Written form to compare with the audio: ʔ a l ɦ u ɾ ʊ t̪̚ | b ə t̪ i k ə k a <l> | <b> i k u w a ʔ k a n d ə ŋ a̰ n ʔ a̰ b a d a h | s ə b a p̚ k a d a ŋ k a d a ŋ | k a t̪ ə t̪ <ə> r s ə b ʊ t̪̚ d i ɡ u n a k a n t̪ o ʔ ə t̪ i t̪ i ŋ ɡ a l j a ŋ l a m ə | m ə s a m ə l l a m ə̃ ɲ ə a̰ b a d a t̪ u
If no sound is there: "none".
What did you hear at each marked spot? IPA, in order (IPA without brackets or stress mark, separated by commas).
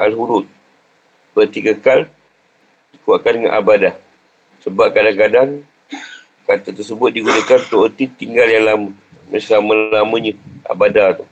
l, d, ə